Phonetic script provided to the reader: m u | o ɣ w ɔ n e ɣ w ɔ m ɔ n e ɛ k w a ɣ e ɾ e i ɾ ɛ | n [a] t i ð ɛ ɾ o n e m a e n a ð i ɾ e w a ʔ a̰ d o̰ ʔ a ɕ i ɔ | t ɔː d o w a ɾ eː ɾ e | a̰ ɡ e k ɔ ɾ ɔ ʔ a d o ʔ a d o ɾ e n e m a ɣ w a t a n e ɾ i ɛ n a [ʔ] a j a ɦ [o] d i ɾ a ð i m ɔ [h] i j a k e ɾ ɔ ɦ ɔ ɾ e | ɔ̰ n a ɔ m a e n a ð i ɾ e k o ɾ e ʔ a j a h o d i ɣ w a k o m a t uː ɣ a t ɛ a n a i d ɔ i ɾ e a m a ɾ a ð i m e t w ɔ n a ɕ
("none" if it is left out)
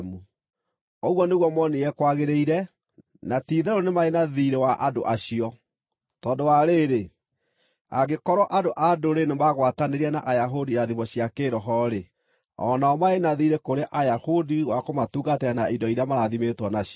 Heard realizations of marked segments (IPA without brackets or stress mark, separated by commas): a, ʔ, o, ɕ